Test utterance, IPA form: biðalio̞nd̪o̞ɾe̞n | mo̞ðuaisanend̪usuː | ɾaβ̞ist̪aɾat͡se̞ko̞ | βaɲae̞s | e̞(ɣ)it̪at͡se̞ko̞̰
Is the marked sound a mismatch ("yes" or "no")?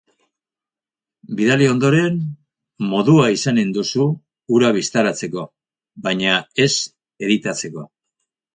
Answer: yes